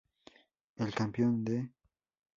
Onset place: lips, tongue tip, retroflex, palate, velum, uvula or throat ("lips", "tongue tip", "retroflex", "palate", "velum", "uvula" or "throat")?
tongue tip